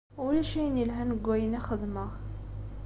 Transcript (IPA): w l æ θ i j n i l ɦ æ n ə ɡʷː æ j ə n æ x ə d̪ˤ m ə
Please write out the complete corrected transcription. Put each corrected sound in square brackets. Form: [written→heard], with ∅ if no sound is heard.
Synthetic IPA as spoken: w l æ [θ→ʃ] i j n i l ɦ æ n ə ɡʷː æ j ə n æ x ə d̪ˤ m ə